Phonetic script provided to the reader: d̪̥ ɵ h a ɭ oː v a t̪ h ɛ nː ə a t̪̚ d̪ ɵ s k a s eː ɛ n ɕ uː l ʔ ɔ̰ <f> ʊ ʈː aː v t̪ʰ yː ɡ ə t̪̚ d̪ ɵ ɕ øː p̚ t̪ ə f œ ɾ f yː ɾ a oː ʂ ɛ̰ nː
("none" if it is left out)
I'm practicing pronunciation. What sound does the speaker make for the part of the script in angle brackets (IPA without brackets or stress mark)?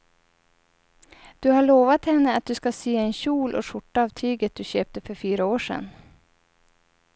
ʂ